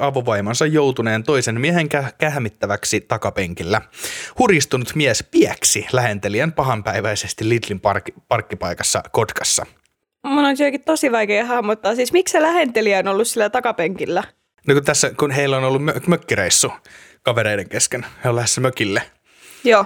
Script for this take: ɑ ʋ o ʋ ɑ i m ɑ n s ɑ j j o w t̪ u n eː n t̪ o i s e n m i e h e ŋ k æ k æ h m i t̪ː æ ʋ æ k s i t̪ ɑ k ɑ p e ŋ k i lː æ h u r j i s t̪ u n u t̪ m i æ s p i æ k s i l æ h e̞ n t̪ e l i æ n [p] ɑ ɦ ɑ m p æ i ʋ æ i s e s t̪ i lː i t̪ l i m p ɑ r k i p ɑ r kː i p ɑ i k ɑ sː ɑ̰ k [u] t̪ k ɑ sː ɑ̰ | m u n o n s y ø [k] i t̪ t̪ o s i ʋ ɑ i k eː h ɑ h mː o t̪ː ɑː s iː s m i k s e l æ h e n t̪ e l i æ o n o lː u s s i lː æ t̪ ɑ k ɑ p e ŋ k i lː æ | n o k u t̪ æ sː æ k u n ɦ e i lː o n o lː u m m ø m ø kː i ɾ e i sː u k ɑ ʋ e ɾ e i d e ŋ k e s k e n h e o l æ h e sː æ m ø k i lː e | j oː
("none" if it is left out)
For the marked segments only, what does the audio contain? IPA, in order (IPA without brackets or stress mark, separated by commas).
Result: p, o, k